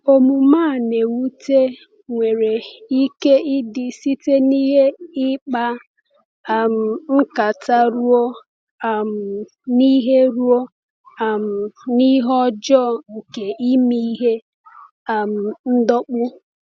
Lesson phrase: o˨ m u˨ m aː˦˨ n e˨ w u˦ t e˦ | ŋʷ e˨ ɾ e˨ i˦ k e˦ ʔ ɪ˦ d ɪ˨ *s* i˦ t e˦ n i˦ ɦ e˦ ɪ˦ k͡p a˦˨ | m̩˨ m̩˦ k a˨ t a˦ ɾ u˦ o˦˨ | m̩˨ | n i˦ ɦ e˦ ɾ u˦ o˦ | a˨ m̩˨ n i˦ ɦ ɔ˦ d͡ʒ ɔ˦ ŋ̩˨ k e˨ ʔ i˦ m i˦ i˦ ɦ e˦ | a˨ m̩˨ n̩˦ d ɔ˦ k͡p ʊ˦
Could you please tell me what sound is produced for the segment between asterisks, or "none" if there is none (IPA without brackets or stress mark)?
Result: s